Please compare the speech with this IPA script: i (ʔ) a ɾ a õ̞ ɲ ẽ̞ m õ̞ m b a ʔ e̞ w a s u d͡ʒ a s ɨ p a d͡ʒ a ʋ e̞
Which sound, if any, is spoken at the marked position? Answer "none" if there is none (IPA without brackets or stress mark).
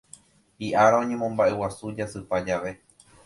ʔ